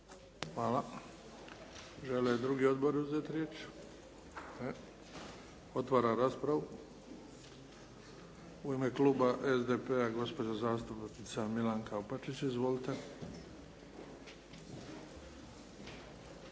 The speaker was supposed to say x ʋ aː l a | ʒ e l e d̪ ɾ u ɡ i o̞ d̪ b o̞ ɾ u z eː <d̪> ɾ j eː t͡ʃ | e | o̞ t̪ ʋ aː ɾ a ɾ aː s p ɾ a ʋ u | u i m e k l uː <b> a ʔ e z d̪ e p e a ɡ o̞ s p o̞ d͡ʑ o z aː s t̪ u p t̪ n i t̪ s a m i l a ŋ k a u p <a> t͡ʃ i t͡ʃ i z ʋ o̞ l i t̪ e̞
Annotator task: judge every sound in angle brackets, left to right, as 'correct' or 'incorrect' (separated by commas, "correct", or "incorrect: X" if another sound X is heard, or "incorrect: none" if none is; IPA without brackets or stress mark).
incorrect: t̪, correct, correct